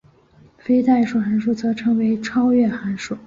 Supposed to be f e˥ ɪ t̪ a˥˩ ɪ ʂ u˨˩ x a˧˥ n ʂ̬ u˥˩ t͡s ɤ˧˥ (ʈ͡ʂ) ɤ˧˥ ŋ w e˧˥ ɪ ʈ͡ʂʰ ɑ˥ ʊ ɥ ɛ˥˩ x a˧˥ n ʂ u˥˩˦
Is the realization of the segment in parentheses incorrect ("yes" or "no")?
yes